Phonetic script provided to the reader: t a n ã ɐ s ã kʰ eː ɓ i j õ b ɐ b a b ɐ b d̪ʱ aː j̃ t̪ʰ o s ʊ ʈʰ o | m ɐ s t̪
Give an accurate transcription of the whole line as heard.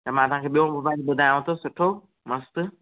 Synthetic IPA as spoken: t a m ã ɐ s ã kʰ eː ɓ i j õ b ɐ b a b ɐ d̪ʱ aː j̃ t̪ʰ o s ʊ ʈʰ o | m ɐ s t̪

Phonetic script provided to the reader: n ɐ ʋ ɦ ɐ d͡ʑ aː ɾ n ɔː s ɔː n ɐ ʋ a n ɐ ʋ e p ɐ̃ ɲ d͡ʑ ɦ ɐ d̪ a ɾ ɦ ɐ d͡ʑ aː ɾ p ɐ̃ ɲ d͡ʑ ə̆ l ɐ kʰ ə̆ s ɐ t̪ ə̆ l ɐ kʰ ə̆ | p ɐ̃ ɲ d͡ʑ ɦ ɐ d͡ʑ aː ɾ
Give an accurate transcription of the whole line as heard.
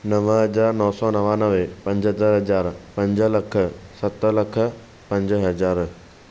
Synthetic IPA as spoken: n ɐ ʋ ɦ ɐ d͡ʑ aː ɾ n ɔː s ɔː n ɐ ʋ a n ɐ ʋ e p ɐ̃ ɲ d͡ʑ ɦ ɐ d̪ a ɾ ɦ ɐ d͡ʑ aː ɾ p ɐ̃ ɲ d͡ʑ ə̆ l ɐ kʰ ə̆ s ɐ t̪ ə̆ l ɐ kʰ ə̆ | p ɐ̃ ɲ d͡ʑ ɦ ɐ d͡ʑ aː ɾ

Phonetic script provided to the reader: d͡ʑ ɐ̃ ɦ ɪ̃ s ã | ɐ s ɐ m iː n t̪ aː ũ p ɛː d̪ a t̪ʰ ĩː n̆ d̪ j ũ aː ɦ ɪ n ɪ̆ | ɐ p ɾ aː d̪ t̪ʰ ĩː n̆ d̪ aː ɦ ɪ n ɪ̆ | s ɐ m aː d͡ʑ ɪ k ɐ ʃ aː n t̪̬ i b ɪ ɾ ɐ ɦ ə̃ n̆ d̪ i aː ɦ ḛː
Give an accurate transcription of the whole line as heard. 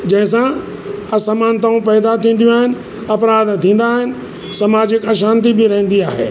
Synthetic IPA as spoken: d͡ʑ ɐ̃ ɦ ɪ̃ s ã | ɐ s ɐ m aː n t̪ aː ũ p ɛː d̪ a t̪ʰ ĩː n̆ d̪ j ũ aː ɦ ɪ n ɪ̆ | ɐ p ɾ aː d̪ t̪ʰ ĩː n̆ d̪ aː ɦ ɪ n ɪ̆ | s ɐ m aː d͡ʑ ɪ k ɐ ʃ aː n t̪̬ i b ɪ ɾ ɐ ɦ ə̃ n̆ d̪ i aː ɦ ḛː

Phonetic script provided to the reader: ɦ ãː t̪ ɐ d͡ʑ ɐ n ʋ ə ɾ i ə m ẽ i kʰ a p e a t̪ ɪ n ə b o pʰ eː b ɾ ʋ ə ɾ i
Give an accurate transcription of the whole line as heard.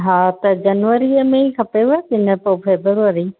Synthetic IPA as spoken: ɦ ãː t̪ ɐ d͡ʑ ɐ n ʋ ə ɾ i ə m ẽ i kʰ ɐ p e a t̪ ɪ n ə p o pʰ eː b ɾ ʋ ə ɾ i

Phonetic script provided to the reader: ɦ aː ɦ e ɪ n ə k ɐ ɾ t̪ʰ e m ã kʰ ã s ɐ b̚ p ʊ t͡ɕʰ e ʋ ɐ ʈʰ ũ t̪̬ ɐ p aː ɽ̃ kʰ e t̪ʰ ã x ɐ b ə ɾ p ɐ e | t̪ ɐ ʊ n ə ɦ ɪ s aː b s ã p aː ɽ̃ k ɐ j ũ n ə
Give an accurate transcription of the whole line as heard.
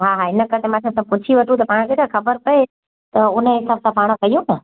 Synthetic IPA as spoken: ɦ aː ɦ a ɪ n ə k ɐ ɾ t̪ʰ e m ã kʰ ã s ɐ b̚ p ʊ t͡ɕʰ i ʋ ɐ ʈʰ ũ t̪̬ ɐ p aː ɽ̃ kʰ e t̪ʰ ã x ɐ b ə ɾ p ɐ e | t̪ ɐ ʊ n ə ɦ ɪ s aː b s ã p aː ɽ̃ k ɐ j ũ n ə

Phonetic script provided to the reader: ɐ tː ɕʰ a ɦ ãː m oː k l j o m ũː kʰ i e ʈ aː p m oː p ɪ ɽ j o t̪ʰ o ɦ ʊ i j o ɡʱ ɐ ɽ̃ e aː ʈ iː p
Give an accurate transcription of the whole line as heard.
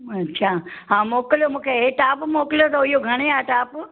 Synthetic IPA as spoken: ɐ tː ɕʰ a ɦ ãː m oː k l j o m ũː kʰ e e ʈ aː p m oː k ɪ l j o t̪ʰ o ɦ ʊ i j o ɡʱ ɐ ɽ̃ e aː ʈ aː p

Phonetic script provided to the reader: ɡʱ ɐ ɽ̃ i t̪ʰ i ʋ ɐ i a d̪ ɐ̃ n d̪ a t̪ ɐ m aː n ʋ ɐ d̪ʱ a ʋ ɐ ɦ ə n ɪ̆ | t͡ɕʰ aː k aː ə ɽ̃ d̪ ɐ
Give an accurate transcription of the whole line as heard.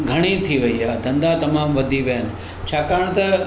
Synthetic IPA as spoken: ɡʱ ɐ ɽ̃ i t̪ʰ i ʋ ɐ i a d̪ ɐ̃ n d̪ a t̪ ɐ m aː m ʋ ɐ d̪ʱ i ʋ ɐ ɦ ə n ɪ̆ | t͡ɕʰ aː k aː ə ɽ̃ t̪ ɐ

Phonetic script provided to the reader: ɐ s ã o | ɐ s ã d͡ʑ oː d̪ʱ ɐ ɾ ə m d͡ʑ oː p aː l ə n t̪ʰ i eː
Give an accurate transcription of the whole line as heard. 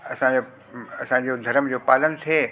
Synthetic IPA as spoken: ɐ s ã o | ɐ s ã d͡ʑ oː d̪ʱ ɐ ɾ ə m d͡ʑ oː p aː l ə n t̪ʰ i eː

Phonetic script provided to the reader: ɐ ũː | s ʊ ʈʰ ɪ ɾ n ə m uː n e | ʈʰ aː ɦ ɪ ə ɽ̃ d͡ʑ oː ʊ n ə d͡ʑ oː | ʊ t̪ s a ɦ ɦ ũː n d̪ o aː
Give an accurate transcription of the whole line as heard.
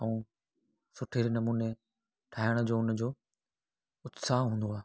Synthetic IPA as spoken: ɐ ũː | s ʊ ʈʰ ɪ ɾ n ɐ m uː n e | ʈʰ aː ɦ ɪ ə ɽ̃ d͡ʑ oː ʊ n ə d͡ʑ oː | ʊ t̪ s a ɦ ɦ ũː n d̪ o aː

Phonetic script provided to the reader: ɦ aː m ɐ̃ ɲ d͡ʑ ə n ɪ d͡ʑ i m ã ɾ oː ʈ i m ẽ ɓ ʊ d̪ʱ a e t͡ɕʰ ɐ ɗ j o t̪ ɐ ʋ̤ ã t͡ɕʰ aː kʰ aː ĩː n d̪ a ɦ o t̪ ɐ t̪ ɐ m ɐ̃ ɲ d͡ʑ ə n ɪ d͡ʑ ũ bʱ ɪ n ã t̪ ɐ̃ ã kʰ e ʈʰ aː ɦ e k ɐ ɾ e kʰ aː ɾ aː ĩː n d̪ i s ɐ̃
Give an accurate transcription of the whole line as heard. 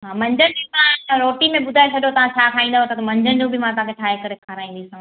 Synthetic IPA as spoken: ɦ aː m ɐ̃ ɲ d͡ʑ ə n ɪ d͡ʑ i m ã ɾ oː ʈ i m ẽ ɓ ʊ d̪ʱ a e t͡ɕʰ ɐ ɗ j o t̪ ɐ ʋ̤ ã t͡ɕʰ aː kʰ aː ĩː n d̪ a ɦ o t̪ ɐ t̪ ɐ m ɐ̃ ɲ d͡ʑ ə n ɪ d͡ʑ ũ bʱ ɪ m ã t̪ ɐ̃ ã kʰ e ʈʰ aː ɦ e k ɐ ɾ e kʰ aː ɾ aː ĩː n d̪ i s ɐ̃

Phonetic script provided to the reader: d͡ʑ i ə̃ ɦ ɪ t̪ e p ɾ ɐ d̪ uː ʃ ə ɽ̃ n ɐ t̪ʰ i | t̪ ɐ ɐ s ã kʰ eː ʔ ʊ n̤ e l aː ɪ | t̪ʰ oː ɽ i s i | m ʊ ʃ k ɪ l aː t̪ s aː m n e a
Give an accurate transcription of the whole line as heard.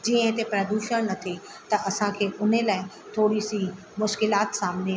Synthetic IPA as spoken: d͡ʑ i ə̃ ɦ ɪ t̪ e p ɾ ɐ d̪ uː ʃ ə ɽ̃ n ɐ t̪ʰ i | t̪ ɐ ɐ s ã kʰ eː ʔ ʊ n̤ e l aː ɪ | t̪ʰ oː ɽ i s i | m ʊ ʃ k ɪ l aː t̪ s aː m n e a

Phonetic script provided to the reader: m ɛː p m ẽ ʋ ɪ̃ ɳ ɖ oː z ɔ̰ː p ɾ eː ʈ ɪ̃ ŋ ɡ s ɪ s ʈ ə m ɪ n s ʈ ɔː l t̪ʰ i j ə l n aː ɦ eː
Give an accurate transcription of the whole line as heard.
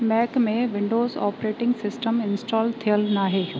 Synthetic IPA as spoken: m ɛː k m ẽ ʋ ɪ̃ ɳ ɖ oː z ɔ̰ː p ɾ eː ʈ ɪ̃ ŋ ɡ s ɪ s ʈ ə m ɪ n s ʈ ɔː l t̪ʰ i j ə l n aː ɦ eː

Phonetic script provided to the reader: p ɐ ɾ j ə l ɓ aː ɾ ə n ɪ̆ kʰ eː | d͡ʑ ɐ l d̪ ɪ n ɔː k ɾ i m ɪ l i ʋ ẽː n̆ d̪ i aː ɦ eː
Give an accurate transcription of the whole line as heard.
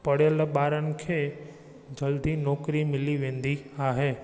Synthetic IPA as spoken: p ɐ ɽ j ə l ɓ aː ɾ ə n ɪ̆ kʰ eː | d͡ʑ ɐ l d̪ i n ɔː k ɾ i m ɪ l i ʋ ẽː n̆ d̪ i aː ɦ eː

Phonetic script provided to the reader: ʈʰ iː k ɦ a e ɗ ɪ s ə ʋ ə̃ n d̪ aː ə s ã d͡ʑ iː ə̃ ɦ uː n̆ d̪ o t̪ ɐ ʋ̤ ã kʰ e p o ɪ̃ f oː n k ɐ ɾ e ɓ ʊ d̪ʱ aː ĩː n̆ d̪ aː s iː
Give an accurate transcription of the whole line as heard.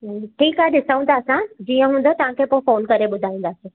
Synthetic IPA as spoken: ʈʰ iː k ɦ a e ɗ ɪ s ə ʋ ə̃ n d̪ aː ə s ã d͡ʑ iː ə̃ ɦ ũː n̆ d̪ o t̪ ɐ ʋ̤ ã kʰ e p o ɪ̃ f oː n k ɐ ɾ e ɓ ʊ d̪ʱ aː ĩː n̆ d̪ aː s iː

